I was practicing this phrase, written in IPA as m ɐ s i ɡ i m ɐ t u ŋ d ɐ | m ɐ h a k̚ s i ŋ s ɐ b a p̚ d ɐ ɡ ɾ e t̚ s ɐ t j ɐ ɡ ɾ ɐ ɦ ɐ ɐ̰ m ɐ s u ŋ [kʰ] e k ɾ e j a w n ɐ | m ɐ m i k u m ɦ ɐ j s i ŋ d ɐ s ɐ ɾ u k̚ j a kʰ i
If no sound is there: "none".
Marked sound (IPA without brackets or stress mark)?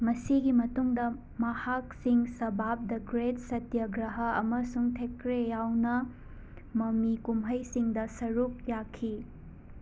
tʰ